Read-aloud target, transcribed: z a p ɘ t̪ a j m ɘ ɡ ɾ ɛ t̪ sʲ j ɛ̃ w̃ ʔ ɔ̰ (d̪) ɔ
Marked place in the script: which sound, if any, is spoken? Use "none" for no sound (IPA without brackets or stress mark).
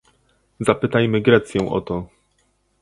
t̪